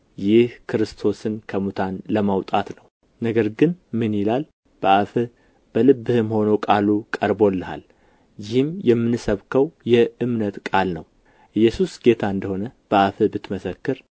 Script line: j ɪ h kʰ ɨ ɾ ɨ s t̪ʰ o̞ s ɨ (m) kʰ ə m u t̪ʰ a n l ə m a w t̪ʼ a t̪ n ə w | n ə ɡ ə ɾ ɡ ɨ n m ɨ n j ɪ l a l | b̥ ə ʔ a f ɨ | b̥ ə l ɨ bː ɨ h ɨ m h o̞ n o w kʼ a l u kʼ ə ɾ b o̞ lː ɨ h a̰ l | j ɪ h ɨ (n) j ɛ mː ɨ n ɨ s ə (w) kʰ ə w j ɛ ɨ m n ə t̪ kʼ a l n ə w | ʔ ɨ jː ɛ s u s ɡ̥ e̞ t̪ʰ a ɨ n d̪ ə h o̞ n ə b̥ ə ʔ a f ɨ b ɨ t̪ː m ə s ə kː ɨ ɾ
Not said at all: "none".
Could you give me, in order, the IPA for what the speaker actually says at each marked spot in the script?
n, m, β

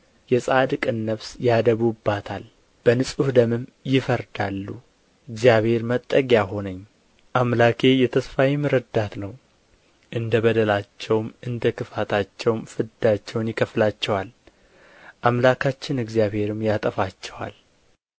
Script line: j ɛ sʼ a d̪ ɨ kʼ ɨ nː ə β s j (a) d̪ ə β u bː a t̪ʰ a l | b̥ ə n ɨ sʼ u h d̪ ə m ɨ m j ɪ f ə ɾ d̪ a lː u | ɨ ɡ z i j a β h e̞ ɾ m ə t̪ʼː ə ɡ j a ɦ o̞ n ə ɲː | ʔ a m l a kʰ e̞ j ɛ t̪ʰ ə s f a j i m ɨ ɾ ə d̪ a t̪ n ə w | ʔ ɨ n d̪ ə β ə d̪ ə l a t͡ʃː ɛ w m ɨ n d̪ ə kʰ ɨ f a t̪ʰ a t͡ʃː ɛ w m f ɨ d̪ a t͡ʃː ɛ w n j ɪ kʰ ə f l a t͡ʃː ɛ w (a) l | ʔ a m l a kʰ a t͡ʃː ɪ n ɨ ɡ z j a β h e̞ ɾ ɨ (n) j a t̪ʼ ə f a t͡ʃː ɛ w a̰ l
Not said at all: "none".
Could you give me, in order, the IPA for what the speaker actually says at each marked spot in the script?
a, a, m

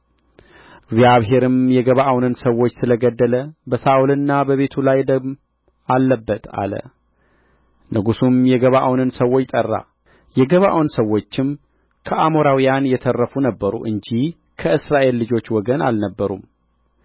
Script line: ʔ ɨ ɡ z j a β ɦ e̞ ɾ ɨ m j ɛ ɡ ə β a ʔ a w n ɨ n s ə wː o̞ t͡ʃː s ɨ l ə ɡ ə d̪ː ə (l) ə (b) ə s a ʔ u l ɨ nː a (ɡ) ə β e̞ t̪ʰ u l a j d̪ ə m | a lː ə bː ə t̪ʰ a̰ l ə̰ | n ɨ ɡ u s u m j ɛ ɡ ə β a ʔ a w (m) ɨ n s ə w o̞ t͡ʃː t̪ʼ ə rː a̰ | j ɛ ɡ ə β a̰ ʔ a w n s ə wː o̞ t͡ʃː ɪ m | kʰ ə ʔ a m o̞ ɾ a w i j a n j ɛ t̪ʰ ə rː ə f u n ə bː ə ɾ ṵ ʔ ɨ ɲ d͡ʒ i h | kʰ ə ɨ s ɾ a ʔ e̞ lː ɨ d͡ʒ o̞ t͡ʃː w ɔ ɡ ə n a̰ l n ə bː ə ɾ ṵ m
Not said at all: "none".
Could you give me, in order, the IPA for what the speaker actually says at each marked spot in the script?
l, b, b, n

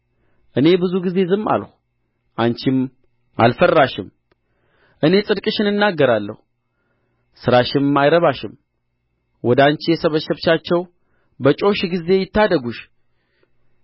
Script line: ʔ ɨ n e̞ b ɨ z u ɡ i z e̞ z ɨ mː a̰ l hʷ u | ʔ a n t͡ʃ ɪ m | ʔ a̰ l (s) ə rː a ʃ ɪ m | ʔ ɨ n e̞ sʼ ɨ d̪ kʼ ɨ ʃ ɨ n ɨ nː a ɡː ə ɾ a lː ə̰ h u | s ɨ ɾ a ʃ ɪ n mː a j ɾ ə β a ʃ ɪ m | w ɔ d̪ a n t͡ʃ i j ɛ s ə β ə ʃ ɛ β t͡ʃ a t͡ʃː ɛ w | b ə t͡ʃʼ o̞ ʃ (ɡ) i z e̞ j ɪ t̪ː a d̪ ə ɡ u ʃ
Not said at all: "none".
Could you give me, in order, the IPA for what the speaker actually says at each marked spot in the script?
f, ɡ

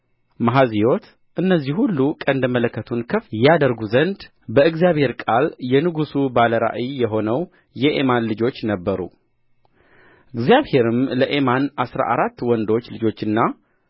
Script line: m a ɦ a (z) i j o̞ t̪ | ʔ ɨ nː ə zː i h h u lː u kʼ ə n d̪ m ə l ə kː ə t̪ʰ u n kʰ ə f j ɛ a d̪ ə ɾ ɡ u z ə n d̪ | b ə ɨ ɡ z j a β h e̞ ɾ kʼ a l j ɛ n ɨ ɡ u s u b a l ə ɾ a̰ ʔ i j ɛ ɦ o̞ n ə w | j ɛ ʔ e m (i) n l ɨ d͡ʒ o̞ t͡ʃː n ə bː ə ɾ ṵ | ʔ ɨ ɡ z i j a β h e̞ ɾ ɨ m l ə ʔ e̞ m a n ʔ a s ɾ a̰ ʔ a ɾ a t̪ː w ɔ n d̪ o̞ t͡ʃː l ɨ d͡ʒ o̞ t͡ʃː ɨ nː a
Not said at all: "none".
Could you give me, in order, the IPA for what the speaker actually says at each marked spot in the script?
z, a

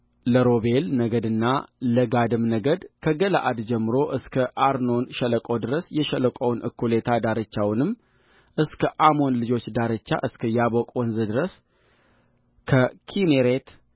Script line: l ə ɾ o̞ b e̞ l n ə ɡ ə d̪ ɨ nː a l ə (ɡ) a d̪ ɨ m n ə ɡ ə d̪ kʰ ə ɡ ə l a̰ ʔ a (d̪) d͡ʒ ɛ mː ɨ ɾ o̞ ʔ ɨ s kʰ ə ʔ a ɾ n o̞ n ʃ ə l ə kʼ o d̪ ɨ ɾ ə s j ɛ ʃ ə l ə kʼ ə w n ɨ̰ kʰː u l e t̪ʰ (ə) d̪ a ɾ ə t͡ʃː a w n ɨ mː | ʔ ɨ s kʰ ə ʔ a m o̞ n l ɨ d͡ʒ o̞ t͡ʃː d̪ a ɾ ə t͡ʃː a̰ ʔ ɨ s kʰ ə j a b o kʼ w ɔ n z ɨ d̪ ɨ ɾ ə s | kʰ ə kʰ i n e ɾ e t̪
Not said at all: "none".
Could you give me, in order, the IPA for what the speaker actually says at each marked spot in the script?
ɡ, d̪, a

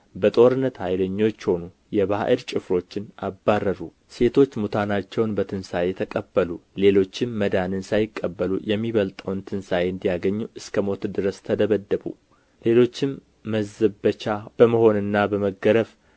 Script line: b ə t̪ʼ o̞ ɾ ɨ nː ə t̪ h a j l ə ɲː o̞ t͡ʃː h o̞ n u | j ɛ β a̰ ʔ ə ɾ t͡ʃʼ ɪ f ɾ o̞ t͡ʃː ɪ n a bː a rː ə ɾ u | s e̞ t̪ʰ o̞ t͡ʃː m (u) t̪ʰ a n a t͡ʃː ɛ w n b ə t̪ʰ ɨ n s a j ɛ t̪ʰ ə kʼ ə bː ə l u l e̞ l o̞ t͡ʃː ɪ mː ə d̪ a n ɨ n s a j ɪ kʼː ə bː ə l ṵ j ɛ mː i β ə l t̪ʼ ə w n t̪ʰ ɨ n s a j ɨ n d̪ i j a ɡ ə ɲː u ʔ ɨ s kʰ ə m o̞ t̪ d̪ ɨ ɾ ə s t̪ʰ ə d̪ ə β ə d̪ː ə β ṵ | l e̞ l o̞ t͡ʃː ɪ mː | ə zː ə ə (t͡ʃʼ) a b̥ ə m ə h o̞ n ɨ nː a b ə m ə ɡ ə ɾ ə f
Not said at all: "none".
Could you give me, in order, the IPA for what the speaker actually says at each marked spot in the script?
u, t͡ʃ

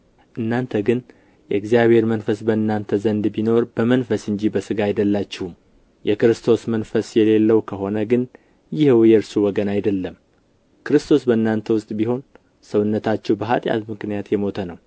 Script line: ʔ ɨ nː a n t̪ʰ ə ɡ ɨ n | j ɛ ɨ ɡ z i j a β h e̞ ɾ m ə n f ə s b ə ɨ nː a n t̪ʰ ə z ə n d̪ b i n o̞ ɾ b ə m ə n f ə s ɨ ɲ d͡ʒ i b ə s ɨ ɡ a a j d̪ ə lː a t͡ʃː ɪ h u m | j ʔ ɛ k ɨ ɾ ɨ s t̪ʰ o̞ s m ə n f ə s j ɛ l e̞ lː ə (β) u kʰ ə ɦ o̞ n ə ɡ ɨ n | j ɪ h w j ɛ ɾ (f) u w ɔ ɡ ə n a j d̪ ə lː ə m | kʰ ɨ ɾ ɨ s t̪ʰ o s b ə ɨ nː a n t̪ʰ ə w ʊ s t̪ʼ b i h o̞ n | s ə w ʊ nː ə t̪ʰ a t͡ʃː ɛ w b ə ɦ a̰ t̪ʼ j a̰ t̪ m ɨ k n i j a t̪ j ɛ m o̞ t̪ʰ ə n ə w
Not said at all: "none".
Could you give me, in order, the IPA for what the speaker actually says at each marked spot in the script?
w, s

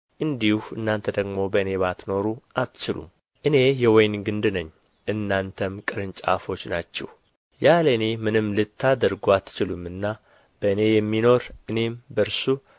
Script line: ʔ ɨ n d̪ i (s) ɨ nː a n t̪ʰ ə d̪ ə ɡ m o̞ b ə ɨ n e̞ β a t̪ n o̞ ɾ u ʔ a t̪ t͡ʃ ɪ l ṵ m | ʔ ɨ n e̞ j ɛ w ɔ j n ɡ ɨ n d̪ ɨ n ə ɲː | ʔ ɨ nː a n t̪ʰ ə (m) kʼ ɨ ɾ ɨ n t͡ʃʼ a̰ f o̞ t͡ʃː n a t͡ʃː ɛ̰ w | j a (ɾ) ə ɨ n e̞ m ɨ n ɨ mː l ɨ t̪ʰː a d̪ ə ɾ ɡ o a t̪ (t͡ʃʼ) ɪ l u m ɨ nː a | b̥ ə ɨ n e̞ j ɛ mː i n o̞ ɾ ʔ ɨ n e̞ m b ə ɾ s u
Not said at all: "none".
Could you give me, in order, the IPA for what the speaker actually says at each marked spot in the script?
h, m, l, t͡ʃ

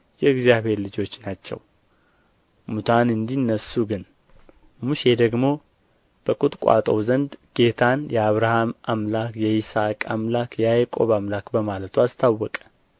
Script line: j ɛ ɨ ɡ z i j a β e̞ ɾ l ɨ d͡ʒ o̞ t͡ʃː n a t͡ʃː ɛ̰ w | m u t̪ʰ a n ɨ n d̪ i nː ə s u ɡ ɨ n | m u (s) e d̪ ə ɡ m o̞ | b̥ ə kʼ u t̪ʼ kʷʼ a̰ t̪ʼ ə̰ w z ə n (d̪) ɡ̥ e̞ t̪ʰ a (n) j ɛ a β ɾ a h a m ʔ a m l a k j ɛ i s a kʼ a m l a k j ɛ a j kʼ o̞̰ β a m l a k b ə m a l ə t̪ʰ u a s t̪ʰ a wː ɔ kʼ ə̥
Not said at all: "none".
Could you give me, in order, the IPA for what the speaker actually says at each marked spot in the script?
ʃ, d̪, n

